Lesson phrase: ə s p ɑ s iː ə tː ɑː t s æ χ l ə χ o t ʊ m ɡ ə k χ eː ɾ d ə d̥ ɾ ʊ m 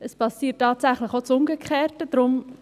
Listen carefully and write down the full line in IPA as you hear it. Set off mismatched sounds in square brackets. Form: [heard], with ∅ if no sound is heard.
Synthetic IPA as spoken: ə s p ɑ s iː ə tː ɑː t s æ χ l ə χ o [t͡s] ʊ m ɡ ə k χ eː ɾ [t] ə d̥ ɾ ʊ m